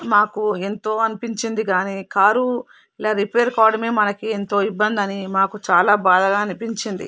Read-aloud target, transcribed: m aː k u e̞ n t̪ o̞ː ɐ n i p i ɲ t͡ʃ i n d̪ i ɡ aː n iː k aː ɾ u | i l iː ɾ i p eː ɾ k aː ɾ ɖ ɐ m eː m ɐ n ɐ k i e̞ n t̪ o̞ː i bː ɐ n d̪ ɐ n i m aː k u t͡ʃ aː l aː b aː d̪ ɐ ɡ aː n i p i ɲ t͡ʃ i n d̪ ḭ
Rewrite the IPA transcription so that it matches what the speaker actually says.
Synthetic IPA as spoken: m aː k u e̞ n t̪ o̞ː ɐ n i p i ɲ t͡ʃ i n d̪ i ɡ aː n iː k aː ɾ u | i l aː ɾ i p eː ɾ k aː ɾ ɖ ɐ m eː m ɐ n ɐ k i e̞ n t̪ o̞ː i bː ɐ n d̪ ɐ n i m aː k u t͡ʃ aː l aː b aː d̪ ɐ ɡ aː n i p i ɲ t͡ʃ i n d̪ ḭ